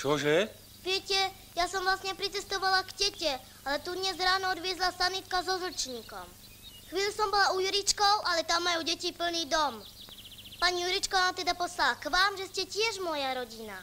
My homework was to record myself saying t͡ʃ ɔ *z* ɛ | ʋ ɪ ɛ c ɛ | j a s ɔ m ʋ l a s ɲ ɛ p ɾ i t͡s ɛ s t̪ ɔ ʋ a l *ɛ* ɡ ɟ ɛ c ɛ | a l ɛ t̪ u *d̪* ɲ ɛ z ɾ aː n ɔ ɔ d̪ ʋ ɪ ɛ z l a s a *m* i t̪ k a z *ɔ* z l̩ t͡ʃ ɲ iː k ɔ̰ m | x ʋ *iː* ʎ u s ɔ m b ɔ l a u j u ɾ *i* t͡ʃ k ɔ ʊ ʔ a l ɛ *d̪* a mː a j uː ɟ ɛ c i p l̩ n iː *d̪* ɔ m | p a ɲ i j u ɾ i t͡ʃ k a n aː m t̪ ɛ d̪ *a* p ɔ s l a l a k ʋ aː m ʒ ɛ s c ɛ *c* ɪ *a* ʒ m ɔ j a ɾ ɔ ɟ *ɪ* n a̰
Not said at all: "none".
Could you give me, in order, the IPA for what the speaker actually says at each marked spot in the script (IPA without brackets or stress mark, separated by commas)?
ʒ, a, d̪, n, ɔ, iː, i, t̪, d̪, a, c, ɛ, i